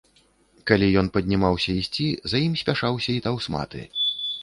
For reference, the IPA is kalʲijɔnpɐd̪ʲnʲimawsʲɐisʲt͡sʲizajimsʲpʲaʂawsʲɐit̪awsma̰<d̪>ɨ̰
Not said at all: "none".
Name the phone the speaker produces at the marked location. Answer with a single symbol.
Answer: t̪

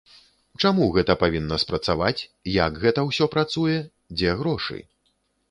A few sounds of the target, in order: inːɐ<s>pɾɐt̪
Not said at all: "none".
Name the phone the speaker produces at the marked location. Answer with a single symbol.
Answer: s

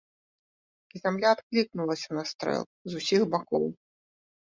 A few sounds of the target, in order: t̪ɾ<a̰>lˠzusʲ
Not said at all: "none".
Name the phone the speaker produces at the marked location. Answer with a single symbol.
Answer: ɛ̰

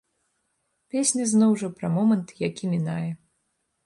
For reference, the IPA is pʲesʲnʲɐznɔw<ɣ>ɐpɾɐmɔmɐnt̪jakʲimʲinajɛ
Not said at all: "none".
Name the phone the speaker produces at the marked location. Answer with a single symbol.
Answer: ʐ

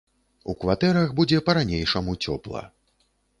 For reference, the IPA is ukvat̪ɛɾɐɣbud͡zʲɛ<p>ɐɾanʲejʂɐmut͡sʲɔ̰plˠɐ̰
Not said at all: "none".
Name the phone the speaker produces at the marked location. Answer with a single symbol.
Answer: p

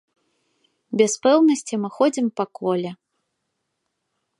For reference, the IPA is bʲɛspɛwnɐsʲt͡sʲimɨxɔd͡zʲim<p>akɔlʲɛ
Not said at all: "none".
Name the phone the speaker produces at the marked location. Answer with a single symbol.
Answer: p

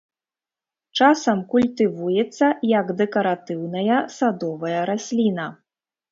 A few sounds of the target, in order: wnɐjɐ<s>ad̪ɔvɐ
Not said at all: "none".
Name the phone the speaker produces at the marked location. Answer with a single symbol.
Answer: s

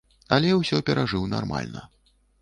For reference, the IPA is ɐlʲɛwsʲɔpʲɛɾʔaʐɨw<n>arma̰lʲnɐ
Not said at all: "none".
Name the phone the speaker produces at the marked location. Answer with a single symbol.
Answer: n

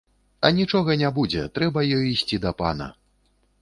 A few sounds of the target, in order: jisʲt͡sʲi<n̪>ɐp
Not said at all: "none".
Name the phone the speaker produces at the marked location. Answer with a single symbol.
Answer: d̪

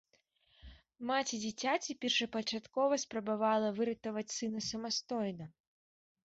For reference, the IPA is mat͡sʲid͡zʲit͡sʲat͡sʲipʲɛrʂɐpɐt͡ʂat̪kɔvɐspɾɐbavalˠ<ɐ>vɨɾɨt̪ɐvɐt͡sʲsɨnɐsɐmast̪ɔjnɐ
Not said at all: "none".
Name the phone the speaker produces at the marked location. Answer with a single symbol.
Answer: ɐ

